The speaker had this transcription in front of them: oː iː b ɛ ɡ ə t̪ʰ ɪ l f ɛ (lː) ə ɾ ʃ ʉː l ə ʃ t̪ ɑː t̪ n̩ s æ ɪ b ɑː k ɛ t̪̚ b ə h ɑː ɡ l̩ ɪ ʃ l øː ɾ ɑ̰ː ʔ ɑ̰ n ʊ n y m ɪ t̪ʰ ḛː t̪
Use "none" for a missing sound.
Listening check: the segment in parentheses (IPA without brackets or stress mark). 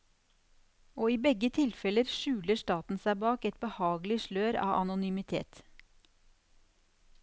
l